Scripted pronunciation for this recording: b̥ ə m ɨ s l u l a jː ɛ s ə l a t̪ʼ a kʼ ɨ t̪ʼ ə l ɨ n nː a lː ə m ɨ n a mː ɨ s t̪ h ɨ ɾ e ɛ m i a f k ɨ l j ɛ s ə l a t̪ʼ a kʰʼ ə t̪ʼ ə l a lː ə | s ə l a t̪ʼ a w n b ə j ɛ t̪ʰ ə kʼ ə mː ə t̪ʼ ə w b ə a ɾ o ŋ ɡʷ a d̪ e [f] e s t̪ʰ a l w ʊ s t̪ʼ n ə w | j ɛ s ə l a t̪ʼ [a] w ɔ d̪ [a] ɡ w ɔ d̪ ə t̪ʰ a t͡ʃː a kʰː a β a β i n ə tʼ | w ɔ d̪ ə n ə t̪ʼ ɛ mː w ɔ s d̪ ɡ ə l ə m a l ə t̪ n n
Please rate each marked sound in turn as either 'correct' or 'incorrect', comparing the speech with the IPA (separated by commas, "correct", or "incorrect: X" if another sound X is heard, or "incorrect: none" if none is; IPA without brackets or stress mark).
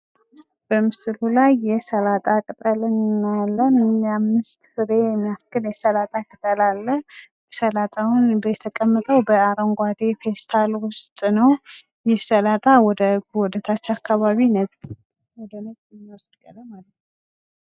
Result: correct, correct, incorrect: ə